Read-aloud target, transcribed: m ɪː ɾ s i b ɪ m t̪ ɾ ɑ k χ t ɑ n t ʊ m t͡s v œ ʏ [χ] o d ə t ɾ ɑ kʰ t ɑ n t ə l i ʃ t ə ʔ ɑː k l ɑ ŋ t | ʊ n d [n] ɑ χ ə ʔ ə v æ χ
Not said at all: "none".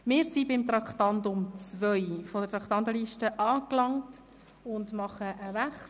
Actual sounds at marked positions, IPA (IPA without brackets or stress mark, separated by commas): f, m